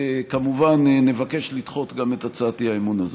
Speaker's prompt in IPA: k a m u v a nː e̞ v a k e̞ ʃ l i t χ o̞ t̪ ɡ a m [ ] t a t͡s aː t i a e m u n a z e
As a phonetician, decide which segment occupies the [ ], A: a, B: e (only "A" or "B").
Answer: B